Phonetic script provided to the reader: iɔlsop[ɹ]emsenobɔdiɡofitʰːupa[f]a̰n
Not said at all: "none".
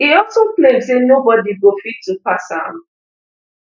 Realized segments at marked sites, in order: l, s

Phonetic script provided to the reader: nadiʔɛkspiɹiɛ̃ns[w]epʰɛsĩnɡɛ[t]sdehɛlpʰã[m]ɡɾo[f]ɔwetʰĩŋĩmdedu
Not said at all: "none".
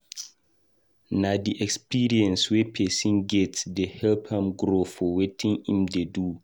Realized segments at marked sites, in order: w, t, m, f

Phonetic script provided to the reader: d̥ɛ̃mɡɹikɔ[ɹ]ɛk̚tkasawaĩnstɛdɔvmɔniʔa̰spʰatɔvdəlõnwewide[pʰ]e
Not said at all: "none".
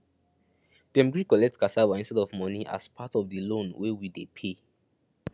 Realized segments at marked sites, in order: l, pʰ

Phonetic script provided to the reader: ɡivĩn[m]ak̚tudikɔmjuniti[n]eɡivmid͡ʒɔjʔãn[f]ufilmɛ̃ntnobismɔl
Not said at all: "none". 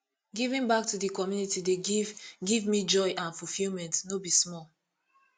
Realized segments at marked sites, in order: b, d, f

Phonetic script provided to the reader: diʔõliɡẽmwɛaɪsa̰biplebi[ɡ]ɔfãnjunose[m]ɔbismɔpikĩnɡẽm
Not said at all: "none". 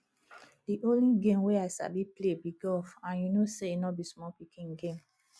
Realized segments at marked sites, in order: ɡ, n

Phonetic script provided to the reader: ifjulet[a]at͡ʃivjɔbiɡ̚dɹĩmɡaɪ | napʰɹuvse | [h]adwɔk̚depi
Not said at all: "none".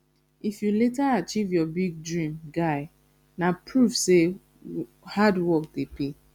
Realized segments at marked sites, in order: a, h

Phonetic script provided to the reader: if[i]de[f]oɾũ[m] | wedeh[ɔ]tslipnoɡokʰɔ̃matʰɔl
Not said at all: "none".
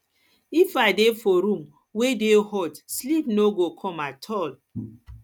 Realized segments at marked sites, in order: a, f, m, ɔ

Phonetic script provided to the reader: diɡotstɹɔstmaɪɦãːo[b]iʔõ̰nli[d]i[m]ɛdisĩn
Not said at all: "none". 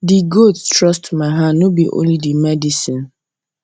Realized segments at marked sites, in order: b, d, m

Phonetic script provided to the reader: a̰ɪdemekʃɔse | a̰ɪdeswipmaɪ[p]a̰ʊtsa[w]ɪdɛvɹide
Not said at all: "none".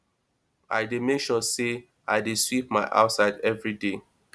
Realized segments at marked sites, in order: ʔ, none

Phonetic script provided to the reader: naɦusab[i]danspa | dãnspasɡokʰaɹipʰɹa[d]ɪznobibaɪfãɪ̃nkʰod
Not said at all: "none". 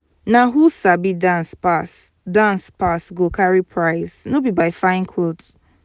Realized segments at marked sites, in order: i, none

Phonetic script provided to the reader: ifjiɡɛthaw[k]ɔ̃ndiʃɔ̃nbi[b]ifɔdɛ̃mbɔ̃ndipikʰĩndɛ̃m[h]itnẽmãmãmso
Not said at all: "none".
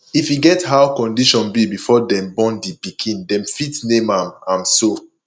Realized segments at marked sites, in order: k, b, f

